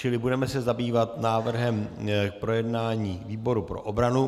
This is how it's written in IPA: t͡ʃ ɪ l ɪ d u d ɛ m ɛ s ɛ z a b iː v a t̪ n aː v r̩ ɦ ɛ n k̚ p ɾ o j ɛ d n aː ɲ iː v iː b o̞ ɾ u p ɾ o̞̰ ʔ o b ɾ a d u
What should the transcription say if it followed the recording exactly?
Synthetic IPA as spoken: t͡ʃ ɪ l ɪ b u d ɛ m ɛ s ɛ z a b iː v a t̪ n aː v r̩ ɦ ɛ m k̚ p ɾ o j ɛ d n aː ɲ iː v iː b o̞ ɾ u p ɾ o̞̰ ʔ o b ɾ a n u